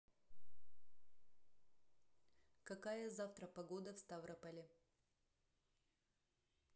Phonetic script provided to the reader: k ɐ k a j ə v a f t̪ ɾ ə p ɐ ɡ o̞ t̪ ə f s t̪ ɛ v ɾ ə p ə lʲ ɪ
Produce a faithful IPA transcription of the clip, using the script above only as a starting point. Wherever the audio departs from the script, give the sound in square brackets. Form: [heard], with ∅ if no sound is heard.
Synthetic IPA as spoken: k ɐ k a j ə [z] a f t̪ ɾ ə p ɐ ɡ o̞ [d̪] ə f s t̪ [a] v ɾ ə p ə lʲ ɪ